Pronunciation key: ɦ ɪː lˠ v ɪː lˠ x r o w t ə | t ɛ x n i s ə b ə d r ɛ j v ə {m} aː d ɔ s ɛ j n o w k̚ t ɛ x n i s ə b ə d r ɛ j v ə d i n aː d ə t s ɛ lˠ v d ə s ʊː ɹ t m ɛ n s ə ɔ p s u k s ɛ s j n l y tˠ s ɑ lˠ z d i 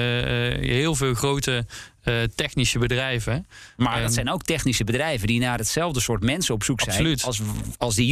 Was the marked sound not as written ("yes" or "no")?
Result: no